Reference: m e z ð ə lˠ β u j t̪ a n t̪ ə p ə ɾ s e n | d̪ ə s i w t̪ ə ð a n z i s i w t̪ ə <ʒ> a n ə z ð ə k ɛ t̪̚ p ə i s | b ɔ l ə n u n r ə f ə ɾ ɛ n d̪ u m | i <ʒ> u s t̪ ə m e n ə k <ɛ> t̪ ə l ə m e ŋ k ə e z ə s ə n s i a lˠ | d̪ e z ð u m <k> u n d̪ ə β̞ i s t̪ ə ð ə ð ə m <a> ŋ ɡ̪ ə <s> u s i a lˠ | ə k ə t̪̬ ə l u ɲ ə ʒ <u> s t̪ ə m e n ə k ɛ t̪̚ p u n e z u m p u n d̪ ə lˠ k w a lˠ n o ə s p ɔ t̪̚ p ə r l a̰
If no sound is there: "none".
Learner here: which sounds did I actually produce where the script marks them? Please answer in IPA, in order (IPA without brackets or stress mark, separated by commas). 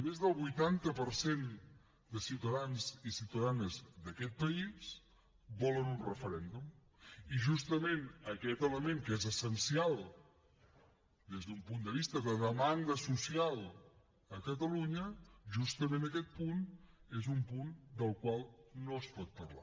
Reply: ð, ʒ, ɛ, p, a, s, u